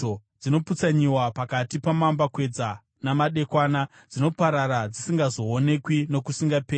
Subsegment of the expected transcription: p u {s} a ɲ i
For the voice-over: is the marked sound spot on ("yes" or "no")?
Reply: no